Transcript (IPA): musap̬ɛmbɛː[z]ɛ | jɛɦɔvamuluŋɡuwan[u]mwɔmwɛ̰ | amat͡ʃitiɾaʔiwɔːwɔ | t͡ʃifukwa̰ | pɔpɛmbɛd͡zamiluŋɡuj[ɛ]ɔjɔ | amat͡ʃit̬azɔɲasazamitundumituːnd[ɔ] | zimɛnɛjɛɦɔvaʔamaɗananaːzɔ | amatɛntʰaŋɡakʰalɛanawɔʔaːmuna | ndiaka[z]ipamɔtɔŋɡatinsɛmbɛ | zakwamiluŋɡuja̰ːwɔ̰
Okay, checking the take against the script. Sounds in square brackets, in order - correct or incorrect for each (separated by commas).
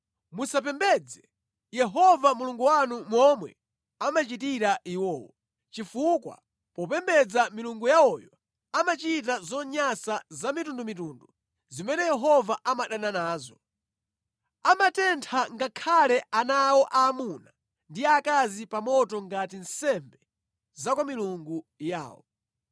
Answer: incorrect, correct, incorrect, incorrect, correct